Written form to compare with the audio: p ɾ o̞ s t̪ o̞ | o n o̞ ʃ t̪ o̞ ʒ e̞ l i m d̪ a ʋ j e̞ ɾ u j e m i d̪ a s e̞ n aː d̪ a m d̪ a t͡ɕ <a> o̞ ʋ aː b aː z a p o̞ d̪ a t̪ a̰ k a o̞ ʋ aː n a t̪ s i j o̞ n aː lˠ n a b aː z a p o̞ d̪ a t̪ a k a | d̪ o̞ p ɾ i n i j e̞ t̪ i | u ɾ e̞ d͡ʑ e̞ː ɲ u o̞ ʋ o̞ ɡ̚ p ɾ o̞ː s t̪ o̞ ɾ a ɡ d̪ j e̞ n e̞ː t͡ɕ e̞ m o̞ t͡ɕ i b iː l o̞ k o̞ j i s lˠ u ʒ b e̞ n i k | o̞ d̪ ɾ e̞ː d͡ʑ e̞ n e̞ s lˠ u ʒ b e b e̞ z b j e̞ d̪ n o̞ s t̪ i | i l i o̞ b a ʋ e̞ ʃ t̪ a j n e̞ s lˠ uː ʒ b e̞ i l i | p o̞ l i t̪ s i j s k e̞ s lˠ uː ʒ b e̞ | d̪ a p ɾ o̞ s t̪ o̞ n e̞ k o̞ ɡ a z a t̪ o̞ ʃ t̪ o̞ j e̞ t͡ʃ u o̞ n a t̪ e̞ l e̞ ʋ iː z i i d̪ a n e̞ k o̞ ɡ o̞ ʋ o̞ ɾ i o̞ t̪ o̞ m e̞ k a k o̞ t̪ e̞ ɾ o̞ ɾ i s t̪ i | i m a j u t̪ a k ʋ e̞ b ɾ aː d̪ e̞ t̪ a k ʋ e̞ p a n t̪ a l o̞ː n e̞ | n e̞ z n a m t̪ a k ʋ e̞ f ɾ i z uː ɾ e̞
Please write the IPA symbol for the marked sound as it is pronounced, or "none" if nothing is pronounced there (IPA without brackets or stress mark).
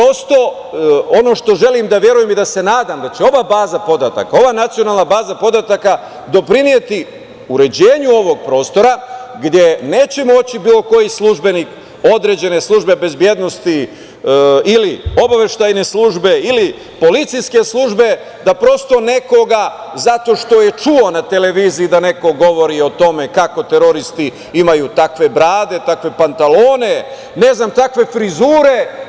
e